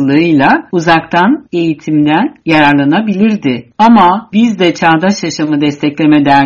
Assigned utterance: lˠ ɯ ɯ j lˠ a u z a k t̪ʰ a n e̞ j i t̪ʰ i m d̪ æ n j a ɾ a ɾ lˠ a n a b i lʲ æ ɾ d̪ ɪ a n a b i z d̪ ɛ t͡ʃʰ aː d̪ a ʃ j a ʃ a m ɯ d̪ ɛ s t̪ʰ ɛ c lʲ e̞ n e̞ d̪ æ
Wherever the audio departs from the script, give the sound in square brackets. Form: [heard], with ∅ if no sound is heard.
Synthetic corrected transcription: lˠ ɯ ɯ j lˠ a u z a k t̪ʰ a n e̞ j i t̪ʰ i m d̪ æ n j a ɾ a ɾ lˠ a n a b i lʲ [i] ɾ d̪ ɪ a [m] a b i z d̪ ɛ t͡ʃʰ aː d̪ a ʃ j a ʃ a m ɯ d̪ ɛ s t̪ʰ ɛ c lʲ e̞ [m] e̞ d̪ æ